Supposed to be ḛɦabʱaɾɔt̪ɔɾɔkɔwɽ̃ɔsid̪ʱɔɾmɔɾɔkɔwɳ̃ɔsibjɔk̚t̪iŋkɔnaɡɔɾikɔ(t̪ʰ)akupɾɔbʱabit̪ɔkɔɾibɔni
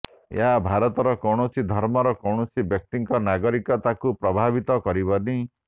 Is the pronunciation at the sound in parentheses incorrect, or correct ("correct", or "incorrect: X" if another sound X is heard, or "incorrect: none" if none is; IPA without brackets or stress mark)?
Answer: incorrect: t̪